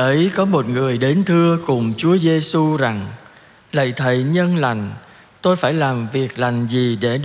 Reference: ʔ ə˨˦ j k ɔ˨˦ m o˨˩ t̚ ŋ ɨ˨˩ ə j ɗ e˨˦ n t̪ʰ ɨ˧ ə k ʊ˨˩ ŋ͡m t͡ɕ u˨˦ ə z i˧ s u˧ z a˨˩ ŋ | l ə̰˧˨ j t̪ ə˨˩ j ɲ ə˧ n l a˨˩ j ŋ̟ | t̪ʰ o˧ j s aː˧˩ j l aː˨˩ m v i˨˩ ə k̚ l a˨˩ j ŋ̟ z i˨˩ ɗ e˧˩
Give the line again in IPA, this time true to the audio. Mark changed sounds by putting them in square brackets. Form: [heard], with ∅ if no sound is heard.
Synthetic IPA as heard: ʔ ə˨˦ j k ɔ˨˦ m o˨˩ t̚ ŋ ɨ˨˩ ə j ɗ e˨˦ n t̪ʰ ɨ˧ ə k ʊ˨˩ ŋ͡m t͡ɕ u˨˦ ə z [e˧] s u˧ z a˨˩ ŋ | l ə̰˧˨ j [t̪ʰ] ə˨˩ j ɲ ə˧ n l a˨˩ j ŋ̟ | [t̪] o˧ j [f] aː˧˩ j l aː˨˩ m v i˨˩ ə k̚ l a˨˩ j ŋ̟ z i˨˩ ɗ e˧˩